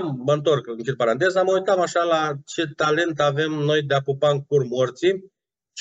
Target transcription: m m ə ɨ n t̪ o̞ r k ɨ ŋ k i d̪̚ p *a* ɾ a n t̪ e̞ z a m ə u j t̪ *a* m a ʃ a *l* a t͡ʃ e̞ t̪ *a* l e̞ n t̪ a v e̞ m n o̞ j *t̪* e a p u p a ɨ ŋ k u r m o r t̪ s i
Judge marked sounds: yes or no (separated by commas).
yes, yes, yes, yes, no